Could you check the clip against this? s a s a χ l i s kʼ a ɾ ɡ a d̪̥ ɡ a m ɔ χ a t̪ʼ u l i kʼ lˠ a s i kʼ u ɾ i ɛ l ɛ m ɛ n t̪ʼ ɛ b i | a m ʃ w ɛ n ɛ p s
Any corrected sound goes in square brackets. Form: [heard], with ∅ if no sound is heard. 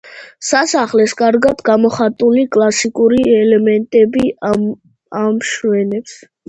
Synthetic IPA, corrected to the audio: s a s a χ l [ɛ] s kʼ a ɾ ɡ a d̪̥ ɡ a m ɔ χ a t̪ʼ u l i kʼ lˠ a s i kʼ u ɾ i ɛ l ɛ m ɛ n t̪ʼ ɛ b i | a m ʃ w ɛ n ɛ p s